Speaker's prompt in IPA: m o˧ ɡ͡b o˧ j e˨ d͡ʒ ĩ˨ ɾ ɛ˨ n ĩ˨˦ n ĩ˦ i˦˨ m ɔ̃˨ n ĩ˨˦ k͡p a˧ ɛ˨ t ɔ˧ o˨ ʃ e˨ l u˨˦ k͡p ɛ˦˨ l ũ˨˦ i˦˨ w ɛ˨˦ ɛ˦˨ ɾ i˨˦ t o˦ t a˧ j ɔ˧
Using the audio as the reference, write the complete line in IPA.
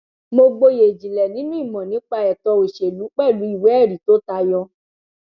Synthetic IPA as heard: m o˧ ɡ͡b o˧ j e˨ d͡ʒ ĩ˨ l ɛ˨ n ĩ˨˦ n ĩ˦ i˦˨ m ɔ̃˨ n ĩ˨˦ k͡p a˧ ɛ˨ t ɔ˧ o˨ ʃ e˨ l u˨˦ k͡p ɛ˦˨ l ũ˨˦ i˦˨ w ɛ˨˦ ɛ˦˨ ɾ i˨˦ t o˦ t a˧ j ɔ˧